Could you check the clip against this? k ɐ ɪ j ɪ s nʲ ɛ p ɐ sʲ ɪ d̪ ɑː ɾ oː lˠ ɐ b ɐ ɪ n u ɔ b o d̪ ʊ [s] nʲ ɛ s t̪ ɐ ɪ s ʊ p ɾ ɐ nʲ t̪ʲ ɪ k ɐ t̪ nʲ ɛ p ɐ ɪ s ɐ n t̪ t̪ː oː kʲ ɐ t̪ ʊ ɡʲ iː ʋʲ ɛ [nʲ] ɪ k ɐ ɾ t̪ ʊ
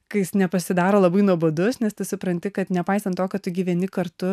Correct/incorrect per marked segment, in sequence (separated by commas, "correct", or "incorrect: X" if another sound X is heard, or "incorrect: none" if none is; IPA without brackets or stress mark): correct, correct